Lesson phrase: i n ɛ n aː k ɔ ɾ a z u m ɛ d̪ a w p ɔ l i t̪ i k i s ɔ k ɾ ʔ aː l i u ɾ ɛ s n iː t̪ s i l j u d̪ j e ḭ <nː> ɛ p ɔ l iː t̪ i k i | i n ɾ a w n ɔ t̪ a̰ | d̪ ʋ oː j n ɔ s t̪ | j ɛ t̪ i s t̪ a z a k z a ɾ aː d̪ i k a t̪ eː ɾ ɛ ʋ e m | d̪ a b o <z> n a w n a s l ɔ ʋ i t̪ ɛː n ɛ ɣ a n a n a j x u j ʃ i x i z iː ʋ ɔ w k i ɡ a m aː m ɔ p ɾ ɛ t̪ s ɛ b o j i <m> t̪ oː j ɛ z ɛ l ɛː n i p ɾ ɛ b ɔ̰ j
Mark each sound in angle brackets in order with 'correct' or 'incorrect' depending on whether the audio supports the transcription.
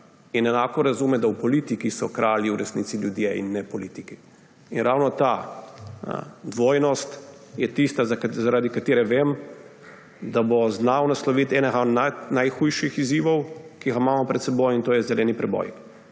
correct, correct, incorrect: n

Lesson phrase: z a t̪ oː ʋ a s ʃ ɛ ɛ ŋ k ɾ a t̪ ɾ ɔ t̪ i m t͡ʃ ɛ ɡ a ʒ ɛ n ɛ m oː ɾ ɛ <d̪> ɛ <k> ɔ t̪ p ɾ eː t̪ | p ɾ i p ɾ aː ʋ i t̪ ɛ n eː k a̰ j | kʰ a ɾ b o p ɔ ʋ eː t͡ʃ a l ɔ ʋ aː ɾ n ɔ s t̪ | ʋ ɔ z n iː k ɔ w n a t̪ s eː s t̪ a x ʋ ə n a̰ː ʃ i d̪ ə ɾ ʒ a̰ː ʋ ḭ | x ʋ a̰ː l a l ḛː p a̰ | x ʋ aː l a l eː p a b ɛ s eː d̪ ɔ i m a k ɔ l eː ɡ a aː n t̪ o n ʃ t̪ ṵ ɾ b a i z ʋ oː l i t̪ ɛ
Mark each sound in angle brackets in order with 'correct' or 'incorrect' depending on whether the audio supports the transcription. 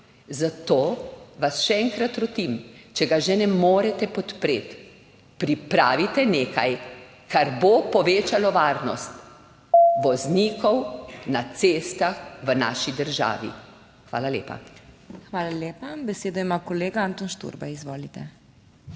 incorrect: t̪, incorrect: p

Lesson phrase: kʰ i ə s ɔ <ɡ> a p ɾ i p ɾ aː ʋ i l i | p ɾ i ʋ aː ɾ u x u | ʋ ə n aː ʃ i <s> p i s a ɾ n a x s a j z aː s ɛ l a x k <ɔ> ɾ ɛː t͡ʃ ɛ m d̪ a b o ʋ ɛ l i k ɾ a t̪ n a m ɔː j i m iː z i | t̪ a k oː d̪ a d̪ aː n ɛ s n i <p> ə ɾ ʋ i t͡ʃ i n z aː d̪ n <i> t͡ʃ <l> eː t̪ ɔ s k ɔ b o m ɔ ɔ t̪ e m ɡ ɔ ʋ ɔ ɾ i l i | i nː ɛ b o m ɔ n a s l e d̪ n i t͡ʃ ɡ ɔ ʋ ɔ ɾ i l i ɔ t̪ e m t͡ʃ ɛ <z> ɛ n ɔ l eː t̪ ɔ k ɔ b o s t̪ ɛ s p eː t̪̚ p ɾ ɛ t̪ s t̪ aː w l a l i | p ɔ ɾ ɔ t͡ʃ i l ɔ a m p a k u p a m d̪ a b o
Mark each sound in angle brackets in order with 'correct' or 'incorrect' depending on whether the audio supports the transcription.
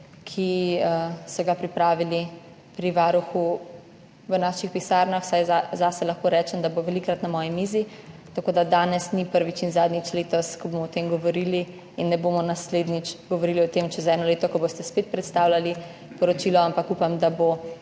correct, incorrect: x, incorrect: o, correct, correct, correct, correct

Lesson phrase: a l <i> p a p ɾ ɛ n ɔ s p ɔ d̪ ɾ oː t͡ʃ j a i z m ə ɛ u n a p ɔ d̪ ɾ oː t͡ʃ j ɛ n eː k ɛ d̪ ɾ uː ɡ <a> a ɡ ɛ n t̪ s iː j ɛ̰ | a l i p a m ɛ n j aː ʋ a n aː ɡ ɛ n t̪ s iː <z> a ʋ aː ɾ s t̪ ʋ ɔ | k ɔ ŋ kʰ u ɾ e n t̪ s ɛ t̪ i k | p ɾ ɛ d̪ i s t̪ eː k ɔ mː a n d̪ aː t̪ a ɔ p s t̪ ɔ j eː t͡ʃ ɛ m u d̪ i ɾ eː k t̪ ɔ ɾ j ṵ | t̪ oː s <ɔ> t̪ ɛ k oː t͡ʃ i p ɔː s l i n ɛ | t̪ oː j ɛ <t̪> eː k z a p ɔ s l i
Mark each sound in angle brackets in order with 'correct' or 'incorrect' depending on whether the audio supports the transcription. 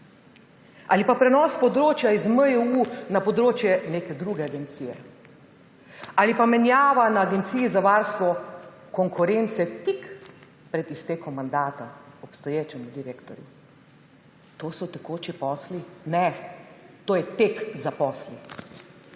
correct, incorrect: ɛ, correct, correct, correct

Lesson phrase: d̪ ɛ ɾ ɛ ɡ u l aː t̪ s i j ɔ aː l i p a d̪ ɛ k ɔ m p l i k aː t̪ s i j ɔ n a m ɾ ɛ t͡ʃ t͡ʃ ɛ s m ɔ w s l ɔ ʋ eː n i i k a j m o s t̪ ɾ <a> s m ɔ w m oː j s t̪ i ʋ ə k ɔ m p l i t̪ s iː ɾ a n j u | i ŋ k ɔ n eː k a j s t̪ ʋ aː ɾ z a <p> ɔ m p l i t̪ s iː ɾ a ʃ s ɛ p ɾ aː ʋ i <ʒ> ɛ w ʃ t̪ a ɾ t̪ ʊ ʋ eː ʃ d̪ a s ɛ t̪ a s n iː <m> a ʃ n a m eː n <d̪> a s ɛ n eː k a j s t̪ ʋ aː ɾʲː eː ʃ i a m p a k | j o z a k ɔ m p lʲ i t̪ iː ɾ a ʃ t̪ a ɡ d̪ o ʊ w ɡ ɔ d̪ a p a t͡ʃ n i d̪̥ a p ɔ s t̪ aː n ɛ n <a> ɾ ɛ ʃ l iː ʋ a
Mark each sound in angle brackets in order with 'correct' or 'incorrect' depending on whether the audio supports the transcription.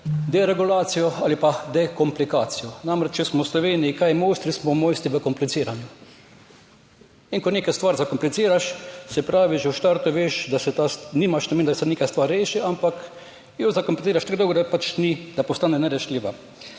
incorrect: i, incorrect: k, correct, correct, correct, incorrect: ɛ

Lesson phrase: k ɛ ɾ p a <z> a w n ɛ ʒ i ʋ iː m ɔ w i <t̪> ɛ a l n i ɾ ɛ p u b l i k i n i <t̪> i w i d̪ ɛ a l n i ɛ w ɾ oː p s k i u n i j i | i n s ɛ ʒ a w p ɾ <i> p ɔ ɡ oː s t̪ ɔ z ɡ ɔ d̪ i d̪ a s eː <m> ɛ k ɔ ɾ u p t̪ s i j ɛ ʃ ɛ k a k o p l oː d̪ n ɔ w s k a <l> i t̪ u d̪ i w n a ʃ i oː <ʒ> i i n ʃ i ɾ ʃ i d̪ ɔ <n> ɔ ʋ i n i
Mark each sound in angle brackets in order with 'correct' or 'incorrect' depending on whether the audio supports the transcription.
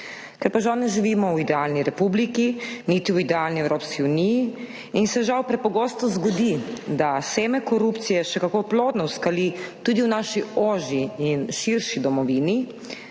incorrect: ʒ, incorrect: d̪, correct, incorrect: ɛ, correct, correct, correct, incorrect: m

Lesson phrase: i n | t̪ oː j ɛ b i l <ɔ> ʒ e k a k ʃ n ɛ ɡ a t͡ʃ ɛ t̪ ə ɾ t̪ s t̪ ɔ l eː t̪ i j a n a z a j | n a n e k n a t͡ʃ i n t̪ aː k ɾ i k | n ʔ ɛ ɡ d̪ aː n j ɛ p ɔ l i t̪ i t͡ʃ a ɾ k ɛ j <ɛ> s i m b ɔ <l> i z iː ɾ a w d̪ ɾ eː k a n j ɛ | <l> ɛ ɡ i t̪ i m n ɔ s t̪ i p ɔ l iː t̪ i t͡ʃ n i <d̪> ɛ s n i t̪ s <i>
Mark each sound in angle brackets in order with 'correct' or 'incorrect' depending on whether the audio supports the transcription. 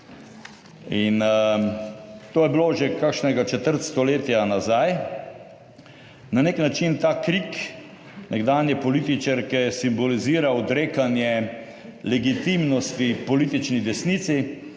incorrect: o, correct, correct, correct, correct, correct

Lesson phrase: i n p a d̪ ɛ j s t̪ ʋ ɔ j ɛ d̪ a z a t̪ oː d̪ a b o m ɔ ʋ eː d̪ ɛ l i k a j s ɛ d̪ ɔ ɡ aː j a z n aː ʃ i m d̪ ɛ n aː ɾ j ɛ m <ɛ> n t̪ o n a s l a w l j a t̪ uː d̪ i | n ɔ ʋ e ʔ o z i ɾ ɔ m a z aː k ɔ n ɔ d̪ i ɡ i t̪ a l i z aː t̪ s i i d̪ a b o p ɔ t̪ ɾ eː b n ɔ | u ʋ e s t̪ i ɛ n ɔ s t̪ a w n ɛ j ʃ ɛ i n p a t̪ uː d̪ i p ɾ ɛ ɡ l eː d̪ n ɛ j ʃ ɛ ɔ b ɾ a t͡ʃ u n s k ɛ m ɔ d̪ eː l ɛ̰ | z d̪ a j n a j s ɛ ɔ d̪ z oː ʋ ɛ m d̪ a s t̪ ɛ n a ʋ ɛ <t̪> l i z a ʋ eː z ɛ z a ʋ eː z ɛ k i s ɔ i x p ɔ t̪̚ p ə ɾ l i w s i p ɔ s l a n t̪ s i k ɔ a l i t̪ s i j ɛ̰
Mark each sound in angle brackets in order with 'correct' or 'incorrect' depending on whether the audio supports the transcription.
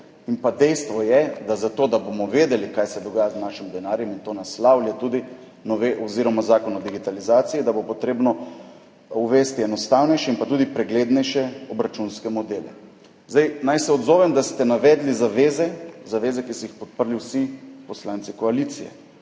incorrect: i, incorrect: d̪

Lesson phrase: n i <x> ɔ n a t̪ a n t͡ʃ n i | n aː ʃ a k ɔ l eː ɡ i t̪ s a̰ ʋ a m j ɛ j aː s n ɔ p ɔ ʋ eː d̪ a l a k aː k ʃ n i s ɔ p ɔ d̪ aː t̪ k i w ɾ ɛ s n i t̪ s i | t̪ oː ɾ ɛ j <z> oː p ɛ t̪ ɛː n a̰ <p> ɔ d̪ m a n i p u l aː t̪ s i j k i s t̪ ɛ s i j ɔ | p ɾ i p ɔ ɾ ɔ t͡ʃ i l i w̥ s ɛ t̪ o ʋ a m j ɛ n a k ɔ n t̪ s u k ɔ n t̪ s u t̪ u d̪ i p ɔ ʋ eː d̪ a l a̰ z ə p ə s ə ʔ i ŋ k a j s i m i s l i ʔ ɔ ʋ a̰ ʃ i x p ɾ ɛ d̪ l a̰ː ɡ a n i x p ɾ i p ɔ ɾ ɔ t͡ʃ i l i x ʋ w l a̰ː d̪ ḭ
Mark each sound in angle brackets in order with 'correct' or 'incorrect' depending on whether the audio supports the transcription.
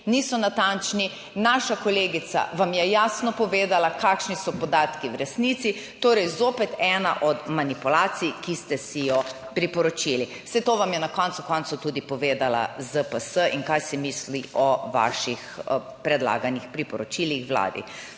incorrect: s, correct, incorrect: ʔ

